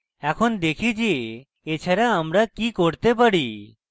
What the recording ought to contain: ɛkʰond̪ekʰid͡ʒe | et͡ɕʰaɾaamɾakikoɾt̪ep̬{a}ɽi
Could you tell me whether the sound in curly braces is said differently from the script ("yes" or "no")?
no